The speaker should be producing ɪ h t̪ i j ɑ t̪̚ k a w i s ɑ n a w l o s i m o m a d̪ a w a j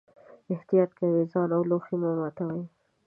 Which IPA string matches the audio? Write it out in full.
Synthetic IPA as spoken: ɪ h t̪ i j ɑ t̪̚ k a w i z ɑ n a w l o x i m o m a t̪ a w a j